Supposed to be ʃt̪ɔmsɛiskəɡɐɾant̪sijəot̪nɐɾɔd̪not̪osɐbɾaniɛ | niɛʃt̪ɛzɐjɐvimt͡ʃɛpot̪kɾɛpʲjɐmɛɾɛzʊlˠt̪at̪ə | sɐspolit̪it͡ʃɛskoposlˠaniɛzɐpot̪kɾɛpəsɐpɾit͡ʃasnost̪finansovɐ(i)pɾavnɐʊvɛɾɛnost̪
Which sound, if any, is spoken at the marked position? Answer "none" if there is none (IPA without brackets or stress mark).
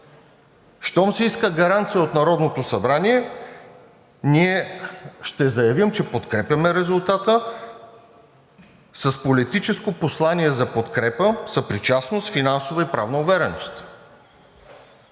i